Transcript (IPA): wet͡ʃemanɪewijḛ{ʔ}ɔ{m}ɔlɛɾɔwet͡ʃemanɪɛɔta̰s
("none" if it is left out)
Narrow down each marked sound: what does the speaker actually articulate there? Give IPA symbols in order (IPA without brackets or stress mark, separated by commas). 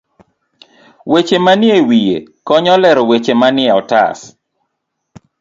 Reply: k, ɲ